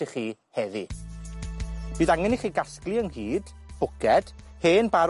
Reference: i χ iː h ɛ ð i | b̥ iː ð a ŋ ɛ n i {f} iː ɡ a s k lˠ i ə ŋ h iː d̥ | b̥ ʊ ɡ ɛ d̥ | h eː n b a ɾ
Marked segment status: incorrect: χ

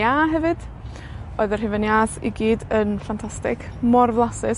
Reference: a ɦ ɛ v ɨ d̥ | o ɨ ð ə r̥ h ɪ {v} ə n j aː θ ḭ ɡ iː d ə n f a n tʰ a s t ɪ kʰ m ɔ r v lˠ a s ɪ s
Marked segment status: correct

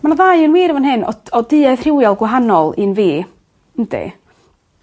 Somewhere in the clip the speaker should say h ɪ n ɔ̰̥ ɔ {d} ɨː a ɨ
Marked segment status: correct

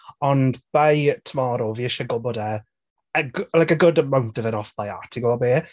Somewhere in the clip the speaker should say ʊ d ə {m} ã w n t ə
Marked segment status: correct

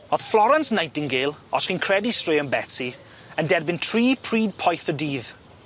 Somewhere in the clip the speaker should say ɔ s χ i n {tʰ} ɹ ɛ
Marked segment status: incorrect: kʰ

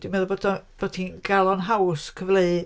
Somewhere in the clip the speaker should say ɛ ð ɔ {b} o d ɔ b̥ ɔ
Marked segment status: correct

